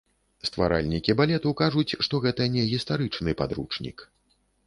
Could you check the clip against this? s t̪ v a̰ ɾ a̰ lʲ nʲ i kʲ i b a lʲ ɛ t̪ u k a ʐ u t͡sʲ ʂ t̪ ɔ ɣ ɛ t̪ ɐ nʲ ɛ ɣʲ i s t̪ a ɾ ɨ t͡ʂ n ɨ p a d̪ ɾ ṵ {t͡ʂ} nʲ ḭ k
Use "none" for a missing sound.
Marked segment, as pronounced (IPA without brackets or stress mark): t͡ʂ